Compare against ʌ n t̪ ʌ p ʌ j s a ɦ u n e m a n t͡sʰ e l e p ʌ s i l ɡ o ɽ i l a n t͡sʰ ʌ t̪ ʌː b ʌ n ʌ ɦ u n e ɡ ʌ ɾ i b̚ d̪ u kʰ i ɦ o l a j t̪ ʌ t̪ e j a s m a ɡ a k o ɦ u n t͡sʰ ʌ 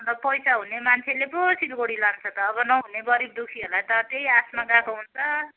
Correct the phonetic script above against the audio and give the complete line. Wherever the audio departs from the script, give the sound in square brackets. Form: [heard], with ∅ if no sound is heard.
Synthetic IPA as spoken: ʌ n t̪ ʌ p ʌ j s a ɦ u n e m a n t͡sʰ e l e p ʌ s i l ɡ o ɽ i l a n t͡sʰ ʌ t̪ ʌː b ʌ n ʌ ɦ u n e ɡ ʌ ɾ i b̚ d̪ u kʰ i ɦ o l a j t̪ ʌ t̪ e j a s m a ɡ a k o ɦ u n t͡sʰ ʌ